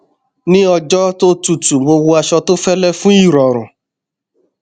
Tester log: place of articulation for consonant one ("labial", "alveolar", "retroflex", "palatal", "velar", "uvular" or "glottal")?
alveolar